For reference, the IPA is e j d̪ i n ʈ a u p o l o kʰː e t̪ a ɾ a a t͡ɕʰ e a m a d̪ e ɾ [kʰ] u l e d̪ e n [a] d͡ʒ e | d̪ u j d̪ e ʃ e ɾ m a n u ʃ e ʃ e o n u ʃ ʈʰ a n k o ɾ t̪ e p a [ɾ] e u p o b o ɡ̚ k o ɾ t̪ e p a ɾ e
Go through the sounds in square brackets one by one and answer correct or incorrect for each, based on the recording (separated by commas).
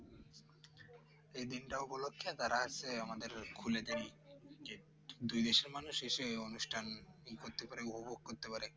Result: correct, incorrect, correct